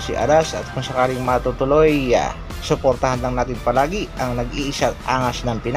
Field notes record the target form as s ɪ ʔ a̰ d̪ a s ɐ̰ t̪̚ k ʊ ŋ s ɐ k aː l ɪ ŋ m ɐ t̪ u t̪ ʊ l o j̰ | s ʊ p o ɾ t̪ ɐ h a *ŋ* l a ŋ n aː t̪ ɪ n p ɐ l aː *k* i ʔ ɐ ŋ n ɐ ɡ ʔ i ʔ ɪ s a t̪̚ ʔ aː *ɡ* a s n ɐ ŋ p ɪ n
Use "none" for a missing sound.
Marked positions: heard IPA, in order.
n, ɡ, ŋ

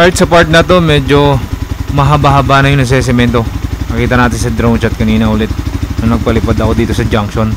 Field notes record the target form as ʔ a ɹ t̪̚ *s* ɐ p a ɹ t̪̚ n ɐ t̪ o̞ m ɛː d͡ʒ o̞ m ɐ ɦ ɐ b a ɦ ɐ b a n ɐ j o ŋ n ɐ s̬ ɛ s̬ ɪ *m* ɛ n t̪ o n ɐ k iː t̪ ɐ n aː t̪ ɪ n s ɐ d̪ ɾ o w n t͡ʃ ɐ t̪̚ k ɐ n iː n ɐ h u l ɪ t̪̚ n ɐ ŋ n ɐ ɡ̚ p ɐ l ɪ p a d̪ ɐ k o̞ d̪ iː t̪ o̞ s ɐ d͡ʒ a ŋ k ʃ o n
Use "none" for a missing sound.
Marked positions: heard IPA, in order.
s, m

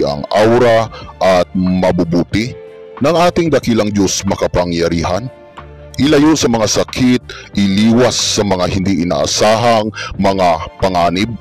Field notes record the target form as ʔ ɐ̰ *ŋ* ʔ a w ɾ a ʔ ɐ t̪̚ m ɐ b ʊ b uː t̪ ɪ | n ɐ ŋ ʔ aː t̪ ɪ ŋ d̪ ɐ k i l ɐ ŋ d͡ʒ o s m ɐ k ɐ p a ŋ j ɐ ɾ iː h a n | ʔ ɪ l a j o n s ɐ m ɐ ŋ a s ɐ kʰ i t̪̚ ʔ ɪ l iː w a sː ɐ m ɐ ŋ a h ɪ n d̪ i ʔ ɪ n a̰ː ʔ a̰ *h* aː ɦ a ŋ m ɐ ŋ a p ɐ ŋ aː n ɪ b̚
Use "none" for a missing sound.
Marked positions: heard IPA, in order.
ŋ, s

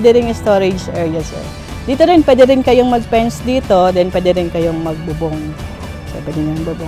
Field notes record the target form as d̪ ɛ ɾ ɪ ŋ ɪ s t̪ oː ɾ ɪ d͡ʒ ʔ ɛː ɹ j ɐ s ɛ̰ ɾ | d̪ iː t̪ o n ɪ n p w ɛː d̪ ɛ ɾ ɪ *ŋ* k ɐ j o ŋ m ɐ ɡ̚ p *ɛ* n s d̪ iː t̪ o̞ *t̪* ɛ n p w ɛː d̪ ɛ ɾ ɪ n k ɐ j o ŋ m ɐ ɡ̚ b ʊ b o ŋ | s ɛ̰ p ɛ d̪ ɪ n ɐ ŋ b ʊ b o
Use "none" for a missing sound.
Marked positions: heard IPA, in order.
n, ɛ, d̪

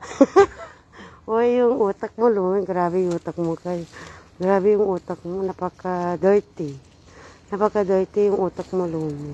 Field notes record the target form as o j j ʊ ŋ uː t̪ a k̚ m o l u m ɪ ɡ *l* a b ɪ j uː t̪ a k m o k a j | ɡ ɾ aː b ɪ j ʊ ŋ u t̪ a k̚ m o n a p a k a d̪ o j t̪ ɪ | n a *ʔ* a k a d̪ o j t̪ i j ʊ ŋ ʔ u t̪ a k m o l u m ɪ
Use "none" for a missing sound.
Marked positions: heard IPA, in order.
ɾ, p

